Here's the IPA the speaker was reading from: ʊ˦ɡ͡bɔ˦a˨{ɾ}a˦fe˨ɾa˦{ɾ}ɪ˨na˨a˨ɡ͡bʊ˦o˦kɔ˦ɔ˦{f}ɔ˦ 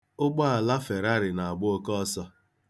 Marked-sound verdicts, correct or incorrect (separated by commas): incorrect, correct, incorrect